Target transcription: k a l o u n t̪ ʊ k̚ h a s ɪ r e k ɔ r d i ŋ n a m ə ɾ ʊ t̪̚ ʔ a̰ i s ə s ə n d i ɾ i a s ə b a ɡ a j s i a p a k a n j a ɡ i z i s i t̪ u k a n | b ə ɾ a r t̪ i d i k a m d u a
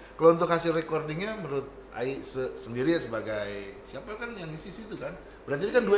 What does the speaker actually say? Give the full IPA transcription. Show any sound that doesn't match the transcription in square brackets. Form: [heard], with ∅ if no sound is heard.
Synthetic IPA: k a l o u n t̪ ʊ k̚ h a s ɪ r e k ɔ r d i ŋ [ɲ] a m ə ɾ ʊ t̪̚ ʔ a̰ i s ə s ə n d i ɾ i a s ə b a ɡ a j s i a p a k a n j a [ŋ] i [s] i s i t̪ u k a n | b ə ɾ a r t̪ i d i k a [n] d u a